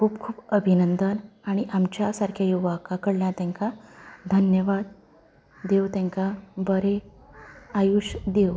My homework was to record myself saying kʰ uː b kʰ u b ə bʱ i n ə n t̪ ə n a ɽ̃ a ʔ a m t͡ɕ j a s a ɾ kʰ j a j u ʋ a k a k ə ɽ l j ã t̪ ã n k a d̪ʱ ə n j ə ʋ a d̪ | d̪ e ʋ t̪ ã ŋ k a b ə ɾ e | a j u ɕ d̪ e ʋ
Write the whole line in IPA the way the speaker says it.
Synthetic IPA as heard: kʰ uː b kʰ uː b ə bʱ i n ə n d̪ ə n a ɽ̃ i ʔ a m t͡ɕ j a s a ɾ kʰ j a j u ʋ a k a k ə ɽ l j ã t̪ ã ŋ k a d̪ʱ ə n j ə ʋ a d̪ | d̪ e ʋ t̪ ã ŋ k a b ə ɾ e | a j u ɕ d̪ e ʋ

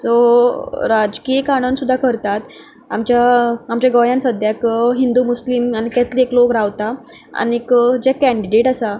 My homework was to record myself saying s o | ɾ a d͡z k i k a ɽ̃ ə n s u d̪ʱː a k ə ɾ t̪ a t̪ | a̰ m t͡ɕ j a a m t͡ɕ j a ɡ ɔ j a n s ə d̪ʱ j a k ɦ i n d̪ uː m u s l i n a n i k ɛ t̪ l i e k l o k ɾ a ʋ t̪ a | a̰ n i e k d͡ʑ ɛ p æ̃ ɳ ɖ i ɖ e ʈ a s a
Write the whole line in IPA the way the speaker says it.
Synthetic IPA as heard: s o | ɾ a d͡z k i k a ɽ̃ ə n s u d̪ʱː a k ə ɾ t̪ a t̪ | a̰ m t͡ɕ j a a m t͡ɕ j a ɡ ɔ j a n s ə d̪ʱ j a k ɦ i n d̪ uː m u s l i m a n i k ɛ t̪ l i e k l o k ɾ a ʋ t̪ a | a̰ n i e k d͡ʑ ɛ k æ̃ ɳ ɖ i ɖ e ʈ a s a

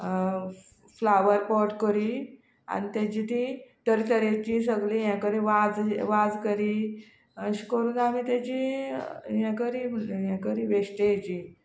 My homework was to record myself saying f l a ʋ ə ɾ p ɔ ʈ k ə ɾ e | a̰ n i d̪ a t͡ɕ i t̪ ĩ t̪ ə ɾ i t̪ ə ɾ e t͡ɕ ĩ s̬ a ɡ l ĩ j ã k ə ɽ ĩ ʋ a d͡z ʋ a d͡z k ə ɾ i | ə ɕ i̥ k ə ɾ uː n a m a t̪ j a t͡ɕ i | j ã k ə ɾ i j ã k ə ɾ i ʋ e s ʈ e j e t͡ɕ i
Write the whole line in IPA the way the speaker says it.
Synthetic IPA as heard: f l a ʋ ə ɾ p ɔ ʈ k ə ɾ i | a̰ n i t̪ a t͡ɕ i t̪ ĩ t̪ ə ɾ i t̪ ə ɾ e t͡ɕ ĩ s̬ ə ɡ l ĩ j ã k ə ɾ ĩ ʋ a d͡z ʋ a d͡z k ə ɾ i | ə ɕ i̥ k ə ɾ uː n a m i t̪ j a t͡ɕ i | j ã k ə ɾ i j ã k ə ɾ i ʋ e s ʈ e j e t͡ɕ i

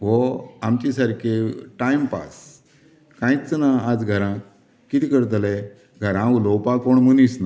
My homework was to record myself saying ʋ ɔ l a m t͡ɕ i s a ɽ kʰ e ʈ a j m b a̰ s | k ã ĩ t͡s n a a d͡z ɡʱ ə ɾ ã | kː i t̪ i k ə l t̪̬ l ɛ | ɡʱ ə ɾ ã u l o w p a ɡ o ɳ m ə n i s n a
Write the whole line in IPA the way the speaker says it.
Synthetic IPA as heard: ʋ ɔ a m t͡ɕ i s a ɾ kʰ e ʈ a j m p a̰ s | k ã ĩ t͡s n a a d͡z ɡʱ ə ɾ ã | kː i t̪ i k ə ɾ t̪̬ l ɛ | ɡʱ ə ɾ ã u l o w p a k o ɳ m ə n i s n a

